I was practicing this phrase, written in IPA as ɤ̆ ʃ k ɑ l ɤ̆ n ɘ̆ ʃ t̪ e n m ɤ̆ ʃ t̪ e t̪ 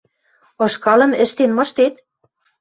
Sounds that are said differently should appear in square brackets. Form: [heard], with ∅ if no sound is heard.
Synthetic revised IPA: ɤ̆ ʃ k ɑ l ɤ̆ [m] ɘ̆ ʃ t̪ e n m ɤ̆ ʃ t̪ e t̪